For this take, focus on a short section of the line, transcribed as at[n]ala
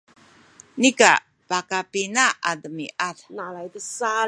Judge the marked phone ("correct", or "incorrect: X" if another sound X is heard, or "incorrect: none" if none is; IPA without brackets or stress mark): correct